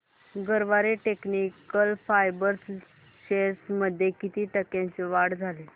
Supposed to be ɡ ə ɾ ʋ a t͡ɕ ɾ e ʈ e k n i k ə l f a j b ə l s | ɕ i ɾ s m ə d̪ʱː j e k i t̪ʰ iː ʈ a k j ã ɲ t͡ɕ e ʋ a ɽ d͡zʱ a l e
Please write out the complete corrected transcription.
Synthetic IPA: ɡ ə ɾ ʋ a ɾ e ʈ e k n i k ə l f a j b ə ɾ s | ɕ e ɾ s m ə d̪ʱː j e k i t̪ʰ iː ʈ ə k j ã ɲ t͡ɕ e ʋ a ɽ d͡zʱ a l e

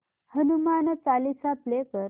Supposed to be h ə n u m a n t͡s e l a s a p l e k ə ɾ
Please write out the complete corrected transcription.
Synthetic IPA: h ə n u m a n t͡s a l i s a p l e k ə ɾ

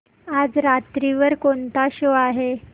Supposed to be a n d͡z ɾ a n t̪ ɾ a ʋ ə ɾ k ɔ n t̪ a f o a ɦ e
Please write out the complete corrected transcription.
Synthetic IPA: a d͡z ɾ a t̪ ɾ i ʋ ə ɾ k o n t̪ a ɕ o a ɦ e

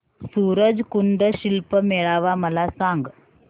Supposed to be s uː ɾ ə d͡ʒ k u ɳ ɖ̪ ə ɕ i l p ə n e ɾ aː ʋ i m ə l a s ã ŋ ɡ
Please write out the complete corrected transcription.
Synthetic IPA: s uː ɾ ə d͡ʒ k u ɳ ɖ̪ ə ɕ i l p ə m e ɭ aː ʋ a m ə l a s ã ŋ ɡ

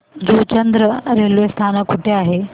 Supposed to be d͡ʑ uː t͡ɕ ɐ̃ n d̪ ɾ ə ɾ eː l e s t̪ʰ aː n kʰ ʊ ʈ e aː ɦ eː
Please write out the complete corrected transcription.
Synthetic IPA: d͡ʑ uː t͡ɕ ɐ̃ n d̪ ɾ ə ɾ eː l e s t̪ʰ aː n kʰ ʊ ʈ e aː ɦ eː

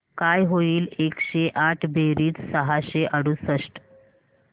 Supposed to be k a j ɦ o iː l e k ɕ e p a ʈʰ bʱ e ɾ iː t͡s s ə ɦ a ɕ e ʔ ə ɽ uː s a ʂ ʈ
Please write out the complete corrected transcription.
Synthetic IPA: k a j ɦ o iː l e k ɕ e ʔ a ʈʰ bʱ e ɾ iː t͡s s ə ɦ a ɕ e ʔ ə ɽ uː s ə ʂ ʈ

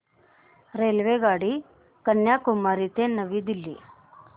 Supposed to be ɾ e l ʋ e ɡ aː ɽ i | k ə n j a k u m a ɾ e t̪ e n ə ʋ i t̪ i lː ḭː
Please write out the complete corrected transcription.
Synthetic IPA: ɾ e l ʋ e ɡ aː ɽ i | k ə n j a k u m a ɾ i t̪ e n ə ʋ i d̪ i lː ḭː

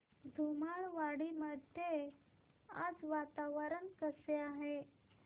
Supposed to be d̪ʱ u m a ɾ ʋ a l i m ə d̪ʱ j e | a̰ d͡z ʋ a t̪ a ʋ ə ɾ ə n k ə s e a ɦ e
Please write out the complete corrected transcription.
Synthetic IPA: d̪ʱ u m a ɭ ʋ a ɽ i m ə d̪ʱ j e | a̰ d͡z ʋ a t̪ a ʋ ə ɾ ə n k ə s e a ɦ e

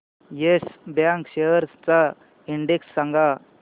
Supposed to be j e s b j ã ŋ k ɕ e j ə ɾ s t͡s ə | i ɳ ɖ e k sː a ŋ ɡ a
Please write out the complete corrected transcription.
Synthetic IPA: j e s b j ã ŋ k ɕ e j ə ɾ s t͡s a | i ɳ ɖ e k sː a ŋ ɡ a

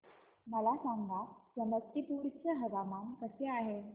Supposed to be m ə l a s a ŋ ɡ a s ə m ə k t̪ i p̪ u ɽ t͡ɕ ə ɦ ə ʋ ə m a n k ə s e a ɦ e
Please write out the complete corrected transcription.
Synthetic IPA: m ə l a s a ŋ ɡ a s ə m ə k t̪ i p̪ u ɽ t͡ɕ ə ɦ ə ʋ a m a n k ə s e a ɦ e

